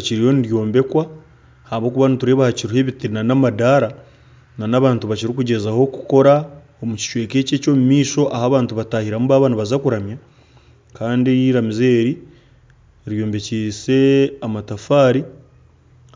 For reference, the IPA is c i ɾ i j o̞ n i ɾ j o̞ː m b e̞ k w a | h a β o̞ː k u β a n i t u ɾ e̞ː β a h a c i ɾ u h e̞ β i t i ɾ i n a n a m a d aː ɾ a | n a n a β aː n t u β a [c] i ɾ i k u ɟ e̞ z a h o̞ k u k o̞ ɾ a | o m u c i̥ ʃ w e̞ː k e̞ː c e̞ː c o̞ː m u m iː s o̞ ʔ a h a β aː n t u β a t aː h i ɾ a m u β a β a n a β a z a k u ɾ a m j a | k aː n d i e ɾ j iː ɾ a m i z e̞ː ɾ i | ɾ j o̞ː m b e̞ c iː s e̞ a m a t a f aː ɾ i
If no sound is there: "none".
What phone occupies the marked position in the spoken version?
c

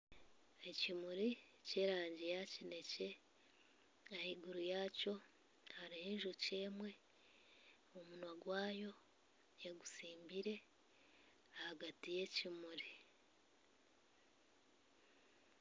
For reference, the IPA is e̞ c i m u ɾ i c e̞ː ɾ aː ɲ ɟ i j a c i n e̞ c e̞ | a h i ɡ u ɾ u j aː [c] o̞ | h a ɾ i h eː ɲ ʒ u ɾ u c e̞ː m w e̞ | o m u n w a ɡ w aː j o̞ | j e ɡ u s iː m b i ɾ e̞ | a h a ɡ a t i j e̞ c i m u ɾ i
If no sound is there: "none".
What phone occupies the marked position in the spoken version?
c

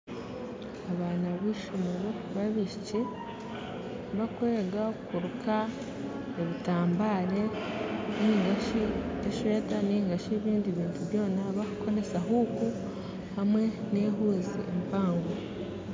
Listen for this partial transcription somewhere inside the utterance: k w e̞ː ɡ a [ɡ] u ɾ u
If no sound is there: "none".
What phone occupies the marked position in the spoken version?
k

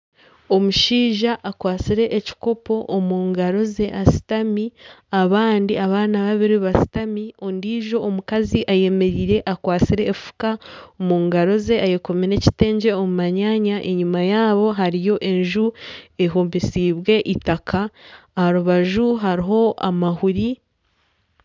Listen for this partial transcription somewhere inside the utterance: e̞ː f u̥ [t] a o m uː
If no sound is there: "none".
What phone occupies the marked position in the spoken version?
k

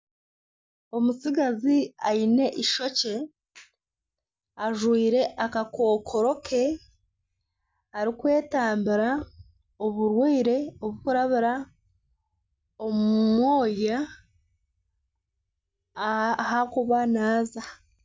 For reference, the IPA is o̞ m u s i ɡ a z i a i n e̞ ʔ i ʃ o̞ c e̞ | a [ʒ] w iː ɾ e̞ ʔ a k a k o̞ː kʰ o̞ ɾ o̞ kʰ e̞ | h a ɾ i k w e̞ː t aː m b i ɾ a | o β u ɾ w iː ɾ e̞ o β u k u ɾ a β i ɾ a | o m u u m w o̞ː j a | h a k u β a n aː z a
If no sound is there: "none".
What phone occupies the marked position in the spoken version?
ʒ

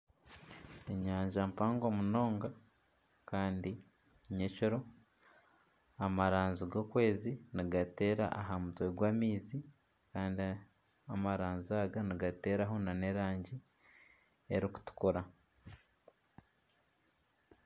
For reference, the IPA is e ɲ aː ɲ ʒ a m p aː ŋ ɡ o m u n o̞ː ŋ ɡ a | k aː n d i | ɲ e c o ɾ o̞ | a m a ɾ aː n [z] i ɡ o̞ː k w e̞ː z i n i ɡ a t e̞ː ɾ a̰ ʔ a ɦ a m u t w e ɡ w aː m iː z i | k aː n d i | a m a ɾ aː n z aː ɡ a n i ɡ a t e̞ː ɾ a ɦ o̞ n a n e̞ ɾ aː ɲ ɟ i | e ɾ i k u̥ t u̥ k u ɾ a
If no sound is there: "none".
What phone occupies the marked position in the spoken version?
z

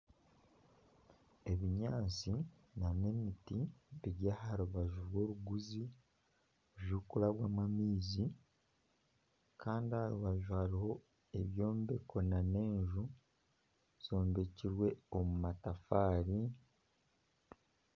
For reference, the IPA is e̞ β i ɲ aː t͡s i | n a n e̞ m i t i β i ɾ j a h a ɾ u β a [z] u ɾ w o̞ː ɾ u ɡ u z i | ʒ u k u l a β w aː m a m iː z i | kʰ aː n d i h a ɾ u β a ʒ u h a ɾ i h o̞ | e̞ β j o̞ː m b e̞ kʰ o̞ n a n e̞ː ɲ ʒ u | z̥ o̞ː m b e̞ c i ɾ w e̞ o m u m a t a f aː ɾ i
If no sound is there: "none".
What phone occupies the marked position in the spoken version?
ʒ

